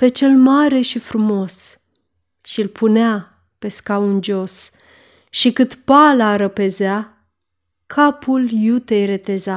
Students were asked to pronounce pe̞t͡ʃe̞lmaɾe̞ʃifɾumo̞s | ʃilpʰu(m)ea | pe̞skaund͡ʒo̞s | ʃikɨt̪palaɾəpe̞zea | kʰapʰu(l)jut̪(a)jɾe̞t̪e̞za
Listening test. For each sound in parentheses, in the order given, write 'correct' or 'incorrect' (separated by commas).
incorrect, correct, incorrect